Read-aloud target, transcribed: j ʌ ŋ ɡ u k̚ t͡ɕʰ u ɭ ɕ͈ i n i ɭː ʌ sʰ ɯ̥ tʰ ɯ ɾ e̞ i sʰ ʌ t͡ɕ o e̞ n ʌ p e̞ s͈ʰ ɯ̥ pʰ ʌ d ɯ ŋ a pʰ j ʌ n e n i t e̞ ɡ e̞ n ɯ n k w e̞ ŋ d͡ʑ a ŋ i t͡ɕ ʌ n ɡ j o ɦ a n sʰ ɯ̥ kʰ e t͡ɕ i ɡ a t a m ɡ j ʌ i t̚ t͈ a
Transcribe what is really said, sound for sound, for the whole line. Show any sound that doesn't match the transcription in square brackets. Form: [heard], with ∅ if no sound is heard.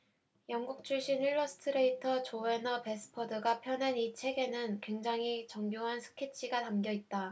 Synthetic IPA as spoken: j ʌ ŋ ɡ u k̚ t͡ɕʰ u ɭ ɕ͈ i n i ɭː ʌ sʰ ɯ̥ tʰ ɯ ɾ e̞ i [tʰ] ʌ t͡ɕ o e̞ n ʌ p e̞ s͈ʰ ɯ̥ pʰ ʌ d ɯ [ɡ] a pʰ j ʌ n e n i [t͡ɕʰ] e̞ ɡ e̞ n ɯ n k w e̞ ŋ d͡ʑ a ŋ i t͡ɕ ʌ [ŋ] ɡ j o ɦ a n sʰ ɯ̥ kʰ e [t͡ɕʰ] i ɡ a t a m ɡ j ʌ i t̚ t͈ a